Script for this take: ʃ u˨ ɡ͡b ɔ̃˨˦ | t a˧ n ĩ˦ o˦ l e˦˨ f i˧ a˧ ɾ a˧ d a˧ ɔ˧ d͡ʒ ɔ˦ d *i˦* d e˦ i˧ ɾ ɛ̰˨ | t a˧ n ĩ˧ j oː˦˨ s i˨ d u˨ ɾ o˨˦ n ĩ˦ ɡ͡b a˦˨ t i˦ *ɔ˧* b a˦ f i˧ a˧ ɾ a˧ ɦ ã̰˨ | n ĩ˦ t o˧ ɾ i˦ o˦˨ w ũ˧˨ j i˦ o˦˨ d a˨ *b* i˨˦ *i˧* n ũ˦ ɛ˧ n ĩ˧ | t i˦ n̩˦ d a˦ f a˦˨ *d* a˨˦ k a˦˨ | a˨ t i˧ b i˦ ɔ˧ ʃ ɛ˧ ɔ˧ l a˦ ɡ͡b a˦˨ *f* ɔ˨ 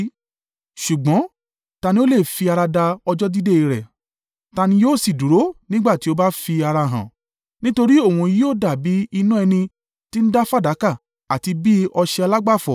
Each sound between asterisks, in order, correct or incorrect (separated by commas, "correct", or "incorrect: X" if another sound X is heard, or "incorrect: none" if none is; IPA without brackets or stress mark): correct, incorrect: o˧, correct, correct, correct, correct